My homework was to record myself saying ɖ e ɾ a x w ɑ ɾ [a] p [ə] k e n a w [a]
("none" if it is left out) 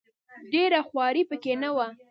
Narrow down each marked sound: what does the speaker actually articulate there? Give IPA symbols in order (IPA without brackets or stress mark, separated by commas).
i, ə, a